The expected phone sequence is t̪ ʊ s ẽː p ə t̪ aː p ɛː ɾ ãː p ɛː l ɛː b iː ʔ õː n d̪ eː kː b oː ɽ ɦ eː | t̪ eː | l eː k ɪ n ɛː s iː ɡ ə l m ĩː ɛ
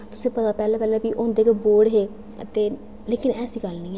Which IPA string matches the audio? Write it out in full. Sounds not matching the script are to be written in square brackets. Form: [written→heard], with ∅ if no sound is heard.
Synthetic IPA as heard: t̪ ʊ s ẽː p ə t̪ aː p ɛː [ɾ→l] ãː p ɛː l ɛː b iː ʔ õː n d̪ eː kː b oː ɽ ɦ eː | t̪ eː | l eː k ɪ n ɛː s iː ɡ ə l [m→n] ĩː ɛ